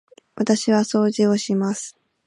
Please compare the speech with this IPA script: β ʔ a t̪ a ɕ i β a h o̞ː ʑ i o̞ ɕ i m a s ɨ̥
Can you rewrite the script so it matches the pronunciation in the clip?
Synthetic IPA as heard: β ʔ a t̪ a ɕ i β a s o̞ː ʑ i o̞ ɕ i m a s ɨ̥